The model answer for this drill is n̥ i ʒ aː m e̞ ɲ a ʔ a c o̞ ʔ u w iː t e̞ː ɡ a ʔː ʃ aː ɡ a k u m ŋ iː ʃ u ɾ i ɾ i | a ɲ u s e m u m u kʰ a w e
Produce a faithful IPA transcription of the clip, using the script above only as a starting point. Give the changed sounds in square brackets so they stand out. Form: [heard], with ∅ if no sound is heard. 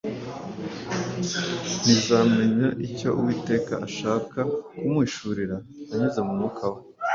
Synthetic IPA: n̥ i [z] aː m e̞ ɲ a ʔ [i] c o̞ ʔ u w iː t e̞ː [k] a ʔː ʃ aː [k] a k u m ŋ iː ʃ u ɾ i ɾ [a] | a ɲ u [z] e m u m u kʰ a w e